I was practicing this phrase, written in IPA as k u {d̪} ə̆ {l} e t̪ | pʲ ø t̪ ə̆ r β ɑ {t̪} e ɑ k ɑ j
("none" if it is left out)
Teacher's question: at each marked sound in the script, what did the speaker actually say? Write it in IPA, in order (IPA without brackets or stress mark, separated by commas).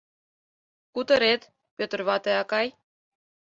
t̪, ɾ, t̪